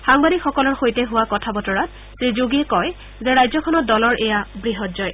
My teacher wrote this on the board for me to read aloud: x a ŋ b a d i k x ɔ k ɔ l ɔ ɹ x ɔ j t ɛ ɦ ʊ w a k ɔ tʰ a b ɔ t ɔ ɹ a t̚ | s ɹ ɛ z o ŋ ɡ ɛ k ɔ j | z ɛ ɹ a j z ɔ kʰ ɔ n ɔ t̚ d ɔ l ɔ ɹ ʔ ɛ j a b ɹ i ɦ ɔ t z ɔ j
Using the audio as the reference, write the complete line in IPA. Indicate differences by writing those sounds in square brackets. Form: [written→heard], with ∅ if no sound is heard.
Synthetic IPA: x a ŋ b a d i k x ɔ k ɔ l ɔ ɹ x [ɔ→o] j t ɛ ɦ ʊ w a k ɔ tʰ a b ɔ t ɔ ɹ a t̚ | s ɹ [ɛ→i] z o [ŋ→∅] ɡ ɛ k ɔ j | z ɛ ɹ a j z ɔ kʰ ɔ n ɔ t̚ d ɔ l ɔ ɹ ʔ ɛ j a b ɹ i ɦ ɔ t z ɔ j